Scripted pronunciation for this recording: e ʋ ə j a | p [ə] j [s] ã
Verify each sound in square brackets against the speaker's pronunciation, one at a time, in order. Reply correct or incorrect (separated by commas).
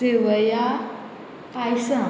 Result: incorrect, correct